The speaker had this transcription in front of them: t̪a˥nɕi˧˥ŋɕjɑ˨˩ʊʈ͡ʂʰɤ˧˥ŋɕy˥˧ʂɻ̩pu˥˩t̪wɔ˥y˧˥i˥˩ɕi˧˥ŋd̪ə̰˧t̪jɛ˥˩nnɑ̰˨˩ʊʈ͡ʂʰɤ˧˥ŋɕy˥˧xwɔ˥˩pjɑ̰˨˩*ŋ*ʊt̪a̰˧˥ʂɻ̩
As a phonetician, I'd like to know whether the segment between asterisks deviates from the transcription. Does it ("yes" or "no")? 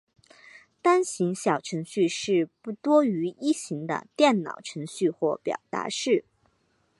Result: yes